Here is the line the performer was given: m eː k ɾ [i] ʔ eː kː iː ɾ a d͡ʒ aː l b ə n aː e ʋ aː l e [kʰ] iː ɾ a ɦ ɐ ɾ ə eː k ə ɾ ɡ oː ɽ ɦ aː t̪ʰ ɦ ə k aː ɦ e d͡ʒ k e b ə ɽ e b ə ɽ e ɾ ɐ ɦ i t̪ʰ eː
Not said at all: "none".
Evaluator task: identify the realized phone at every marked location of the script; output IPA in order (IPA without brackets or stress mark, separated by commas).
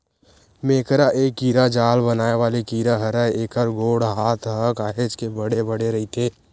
a, k